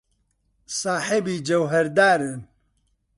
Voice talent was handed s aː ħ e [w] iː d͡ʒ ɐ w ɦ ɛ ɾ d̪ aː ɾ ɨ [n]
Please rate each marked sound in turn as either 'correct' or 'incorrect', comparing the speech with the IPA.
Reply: incorrect: b, correct

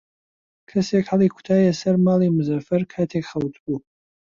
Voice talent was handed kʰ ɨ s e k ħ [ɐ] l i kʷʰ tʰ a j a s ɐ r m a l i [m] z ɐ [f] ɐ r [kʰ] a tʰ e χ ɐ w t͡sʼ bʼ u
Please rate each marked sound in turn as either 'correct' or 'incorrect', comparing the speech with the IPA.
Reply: incorrect: a, correct, correct, correct

